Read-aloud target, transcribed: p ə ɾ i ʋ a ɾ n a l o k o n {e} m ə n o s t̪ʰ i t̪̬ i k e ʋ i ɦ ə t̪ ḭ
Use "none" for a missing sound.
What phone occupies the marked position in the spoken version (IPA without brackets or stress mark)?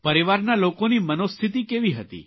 i